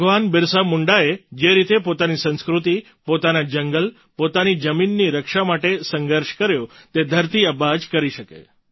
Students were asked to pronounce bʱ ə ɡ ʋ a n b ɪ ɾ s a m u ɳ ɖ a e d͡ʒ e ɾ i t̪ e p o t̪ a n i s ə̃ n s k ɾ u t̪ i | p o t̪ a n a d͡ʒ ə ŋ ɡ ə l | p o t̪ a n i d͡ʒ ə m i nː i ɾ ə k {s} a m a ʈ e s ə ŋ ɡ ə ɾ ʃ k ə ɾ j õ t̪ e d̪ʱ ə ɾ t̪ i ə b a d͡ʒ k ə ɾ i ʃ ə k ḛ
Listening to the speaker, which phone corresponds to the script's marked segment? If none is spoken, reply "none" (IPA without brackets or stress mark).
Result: ʃ